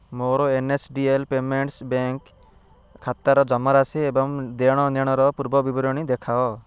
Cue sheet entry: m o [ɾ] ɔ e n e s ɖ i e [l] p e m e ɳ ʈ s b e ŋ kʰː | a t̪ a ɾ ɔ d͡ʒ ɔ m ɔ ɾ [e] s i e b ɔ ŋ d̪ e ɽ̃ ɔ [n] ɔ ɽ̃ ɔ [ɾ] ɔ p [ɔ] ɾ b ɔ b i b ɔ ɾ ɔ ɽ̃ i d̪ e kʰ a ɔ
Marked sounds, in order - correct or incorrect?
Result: correct, correct, incorrect: a, correct, correct, incorrect: u

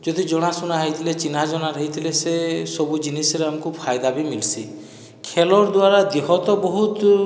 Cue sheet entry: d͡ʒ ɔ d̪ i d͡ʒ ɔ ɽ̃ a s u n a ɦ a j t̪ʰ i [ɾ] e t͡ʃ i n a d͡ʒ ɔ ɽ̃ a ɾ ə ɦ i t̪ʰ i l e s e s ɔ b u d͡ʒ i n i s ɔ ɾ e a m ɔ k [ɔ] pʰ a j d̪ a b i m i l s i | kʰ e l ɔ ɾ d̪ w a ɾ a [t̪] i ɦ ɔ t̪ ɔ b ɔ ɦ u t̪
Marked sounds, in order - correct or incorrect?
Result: incorrect: l, incorrect: u, incorrect: d̪

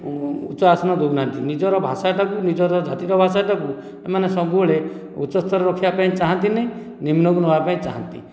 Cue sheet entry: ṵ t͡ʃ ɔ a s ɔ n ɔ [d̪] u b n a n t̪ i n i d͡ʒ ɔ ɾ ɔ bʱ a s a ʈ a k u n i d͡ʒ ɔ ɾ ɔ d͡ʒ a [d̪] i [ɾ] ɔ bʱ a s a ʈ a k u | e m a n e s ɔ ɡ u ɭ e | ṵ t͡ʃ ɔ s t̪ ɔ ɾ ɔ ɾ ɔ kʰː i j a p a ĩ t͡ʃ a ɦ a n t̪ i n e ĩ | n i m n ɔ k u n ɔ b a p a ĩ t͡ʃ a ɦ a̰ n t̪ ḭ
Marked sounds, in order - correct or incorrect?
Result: correct, incorrect: t̪, correct

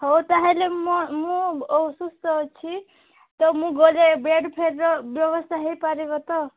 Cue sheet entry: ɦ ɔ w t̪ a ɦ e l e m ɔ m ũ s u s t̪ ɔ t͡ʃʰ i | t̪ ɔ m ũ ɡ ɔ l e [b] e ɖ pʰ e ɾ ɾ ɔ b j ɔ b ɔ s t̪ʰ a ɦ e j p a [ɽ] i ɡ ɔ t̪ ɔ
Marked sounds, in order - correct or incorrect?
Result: correct, incorrect: ɾ

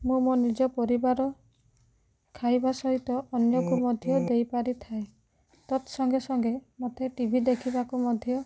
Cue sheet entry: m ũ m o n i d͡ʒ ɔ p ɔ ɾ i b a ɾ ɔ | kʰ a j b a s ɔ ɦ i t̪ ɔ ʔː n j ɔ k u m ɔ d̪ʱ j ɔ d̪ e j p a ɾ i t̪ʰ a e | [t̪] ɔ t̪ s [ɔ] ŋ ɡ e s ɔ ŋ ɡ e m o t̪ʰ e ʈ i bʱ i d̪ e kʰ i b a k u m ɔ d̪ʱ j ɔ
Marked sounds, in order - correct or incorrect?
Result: correct, correct

